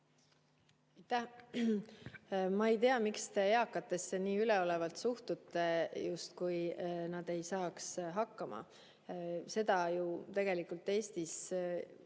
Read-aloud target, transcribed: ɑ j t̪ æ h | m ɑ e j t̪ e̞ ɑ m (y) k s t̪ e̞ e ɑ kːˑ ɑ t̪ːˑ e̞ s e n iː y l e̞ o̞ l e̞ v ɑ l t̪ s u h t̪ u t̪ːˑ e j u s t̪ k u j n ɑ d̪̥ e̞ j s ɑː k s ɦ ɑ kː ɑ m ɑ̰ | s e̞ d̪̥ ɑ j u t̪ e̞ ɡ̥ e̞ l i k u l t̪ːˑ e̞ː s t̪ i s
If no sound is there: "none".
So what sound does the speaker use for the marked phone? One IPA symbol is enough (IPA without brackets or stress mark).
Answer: i